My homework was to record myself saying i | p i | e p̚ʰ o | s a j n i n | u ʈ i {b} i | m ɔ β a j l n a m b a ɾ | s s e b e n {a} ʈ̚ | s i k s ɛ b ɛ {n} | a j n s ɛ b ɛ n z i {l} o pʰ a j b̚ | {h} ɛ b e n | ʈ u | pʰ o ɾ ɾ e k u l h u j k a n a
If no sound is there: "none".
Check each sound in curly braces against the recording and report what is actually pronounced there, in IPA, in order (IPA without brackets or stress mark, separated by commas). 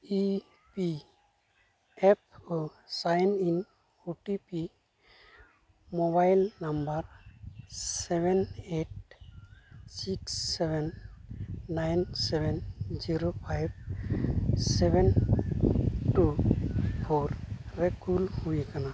p, e, nː, ɾ, s